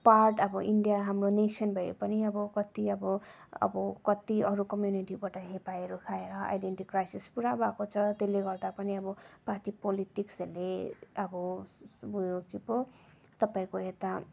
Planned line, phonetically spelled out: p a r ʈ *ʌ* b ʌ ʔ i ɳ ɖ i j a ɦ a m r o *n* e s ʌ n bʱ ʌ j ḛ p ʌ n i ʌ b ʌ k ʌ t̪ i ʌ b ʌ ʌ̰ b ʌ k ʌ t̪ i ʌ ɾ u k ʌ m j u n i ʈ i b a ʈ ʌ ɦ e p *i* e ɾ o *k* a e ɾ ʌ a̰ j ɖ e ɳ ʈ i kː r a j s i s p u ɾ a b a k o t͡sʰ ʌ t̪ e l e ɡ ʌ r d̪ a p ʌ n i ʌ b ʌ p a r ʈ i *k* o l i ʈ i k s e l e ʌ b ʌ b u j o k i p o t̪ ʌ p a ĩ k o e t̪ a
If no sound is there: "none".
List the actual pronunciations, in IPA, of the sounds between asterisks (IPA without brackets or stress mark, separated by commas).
ʌ, n, a, kʰ, p